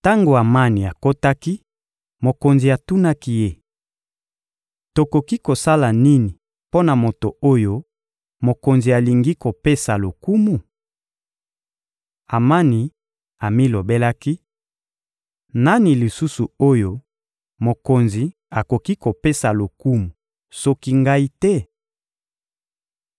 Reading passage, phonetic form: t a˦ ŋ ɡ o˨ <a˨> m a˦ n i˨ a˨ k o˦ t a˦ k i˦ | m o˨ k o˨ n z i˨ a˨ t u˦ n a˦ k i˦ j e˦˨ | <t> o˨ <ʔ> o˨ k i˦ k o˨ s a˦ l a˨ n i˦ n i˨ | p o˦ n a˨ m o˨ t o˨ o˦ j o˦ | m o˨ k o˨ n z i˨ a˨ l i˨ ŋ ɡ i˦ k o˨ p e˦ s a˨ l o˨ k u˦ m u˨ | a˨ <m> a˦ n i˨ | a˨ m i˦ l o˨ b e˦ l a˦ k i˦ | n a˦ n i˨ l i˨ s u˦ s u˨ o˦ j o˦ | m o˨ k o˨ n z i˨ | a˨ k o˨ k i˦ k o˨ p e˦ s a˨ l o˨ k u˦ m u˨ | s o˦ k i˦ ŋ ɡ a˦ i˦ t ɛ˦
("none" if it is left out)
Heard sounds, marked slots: a˨, t, k, m

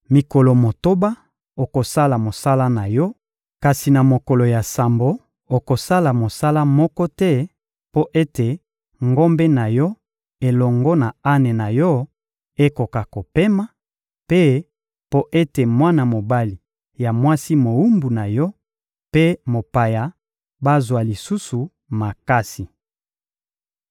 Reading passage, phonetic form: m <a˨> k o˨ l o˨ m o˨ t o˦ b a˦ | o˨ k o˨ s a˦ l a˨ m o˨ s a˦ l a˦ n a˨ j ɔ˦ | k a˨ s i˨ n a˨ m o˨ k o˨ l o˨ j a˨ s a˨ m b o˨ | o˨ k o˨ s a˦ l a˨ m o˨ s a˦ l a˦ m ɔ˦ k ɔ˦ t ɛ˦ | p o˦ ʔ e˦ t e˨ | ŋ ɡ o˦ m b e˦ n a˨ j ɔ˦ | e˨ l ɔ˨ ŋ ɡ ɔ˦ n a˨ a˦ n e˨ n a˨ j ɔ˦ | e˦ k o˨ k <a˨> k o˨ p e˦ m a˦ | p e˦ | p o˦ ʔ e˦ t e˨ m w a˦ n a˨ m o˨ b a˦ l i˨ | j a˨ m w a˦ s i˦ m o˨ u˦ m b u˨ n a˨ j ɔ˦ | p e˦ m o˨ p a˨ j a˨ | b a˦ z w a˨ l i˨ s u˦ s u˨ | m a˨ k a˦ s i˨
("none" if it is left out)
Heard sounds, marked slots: i˨, a˨

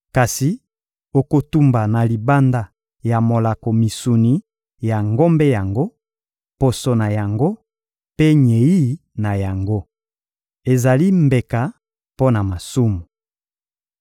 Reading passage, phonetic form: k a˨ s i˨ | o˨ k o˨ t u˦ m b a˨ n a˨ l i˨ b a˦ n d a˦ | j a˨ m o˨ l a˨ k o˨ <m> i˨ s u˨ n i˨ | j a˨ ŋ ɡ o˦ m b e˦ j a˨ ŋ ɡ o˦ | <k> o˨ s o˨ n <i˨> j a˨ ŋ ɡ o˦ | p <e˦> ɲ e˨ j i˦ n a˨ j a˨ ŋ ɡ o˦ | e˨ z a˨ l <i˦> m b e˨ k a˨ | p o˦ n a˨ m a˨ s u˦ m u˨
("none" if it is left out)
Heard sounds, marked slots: m, p, a˨, e˦, i˦

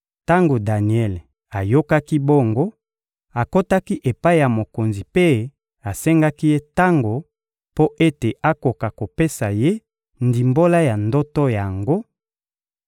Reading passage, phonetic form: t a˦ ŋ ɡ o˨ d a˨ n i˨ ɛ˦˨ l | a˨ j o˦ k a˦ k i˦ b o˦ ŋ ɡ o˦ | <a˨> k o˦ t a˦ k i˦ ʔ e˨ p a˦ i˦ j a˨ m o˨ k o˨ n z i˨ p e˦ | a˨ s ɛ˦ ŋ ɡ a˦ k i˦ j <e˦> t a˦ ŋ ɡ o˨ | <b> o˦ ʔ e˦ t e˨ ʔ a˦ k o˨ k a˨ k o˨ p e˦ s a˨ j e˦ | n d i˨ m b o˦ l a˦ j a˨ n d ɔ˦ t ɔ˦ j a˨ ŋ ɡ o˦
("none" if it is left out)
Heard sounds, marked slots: a˨, e˦, p

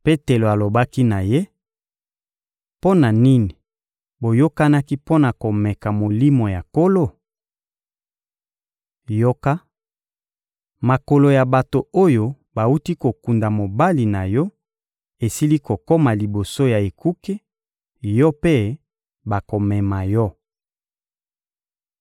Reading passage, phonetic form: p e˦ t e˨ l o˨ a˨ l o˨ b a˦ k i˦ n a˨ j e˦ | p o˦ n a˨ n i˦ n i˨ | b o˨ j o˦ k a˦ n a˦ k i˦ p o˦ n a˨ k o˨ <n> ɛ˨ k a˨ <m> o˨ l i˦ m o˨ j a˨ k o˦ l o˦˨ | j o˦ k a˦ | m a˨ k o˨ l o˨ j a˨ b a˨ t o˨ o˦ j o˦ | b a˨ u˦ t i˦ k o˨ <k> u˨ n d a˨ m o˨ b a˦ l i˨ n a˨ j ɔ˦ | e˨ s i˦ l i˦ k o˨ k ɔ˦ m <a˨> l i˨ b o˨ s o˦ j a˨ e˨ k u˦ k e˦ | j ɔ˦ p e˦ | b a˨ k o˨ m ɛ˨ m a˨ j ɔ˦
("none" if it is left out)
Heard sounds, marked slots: m, m, k, a˨

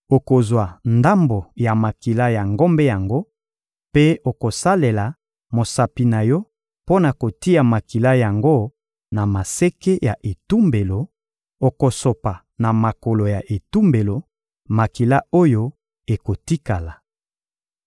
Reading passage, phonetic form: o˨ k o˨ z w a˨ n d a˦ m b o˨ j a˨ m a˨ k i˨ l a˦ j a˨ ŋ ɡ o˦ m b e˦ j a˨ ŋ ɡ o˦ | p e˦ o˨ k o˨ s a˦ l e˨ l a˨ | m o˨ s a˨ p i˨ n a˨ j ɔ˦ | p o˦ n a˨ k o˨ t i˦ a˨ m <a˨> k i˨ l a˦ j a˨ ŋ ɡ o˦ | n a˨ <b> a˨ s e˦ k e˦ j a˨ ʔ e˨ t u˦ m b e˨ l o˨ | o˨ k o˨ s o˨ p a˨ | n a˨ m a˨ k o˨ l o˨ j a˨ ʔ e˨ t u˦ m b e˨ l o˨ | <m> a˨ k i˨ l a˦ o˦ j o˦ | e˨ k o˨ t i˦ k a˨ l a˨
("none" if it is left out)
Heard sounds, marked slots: a˨, m, m

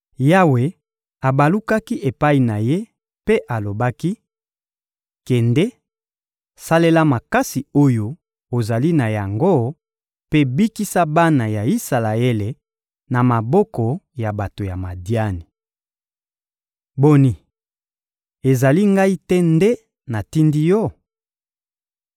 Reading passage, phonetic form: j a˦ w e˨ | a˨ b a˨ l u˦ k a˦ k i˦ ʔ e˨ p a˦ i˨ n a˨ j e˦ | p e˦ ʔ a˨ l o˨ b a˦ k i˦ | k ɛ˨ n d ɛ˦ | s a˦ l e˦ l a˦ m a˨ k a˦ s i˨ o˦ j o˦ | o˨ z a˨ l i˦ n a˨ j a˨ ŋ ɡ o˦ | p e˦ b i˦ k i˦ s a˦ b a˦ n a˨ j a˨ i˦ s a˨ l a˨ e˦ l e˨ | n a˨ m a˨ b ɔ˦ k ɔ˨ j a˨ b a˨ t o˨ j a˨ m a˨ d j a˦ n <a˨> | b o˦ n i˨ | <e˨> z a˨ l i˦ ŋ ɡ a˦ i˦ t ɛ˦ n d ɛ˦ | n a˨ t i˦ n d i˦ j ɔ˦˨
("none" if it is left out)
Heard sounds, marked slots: i˨, e˨

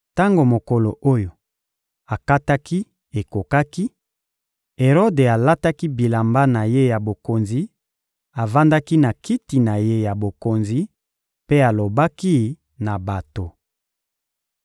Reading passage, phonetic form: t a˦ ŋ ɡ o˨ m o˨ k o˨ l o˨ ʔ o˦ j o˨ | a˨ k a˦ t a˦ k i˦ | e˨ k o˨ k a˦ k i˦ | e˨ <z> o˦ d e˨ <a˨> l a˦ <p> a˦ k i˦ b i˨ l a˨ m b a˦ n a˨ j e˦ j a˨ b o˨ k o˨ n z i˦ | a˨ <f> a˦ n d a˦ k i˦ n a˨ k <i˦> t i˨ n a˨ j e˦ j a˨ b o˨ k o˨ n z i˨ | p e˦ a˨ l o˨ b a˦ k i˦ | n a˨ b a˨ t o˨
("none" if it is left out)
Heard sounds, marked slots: ʁ, a˨, t, v, i˦

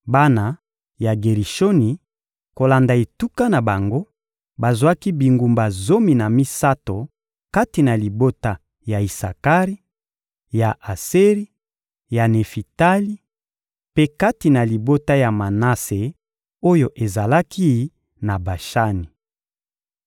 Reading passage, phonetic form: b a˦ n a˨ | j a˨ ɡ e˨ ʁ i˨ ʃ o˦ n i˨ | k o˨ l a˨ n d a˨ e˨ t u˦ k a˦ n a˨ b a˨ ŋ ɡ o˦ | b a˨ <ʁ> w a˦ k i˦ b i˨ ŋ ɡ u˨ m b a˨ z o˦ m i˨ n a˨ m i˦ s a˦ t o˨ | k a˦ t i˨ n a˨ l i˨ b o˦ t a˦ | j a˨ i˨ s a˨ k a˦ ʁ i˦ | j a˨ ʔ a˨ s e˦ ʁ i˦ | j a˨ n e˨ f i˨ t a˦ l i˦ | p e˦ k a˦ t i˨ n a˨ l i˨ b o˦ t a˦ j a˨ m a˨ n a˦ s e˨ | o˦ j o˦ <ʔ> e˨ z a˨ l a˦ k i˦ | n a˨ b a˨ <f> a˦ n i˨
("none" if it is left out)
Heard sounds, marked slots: z, ʔ, ʃ

